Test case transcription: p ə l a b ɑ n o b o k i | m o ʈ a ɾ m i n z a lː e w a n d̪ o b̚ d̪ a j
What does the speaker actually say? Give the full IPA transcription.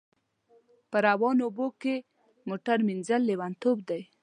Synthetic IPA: p ə ɾ a w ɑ n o b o k e | m o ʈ a ɾ m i n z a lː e w a n t̪ o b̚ d̪ a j